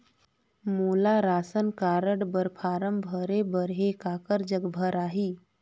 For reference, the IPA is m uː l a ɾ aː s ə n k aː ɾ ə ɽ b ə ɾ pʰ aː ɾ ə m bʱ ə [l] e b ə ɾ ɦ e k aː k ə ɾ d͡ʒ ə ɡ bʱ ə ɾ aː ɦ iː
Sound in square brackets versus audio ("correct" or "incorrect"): incorrect